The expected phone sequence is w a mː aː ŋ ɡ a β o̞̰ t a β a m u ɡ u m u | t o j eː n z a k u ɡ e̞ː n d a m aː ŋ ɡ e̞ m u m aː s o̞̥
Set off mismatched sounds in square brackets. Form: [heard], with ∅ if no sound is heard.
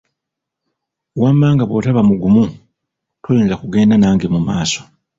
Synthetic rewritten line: w a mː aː ŋ ɡ a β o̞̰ t a β a m u ɡ u m u | t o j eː n z a k u ɡ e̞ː n d a [n] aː ŋ ɡ e̞ m u m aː s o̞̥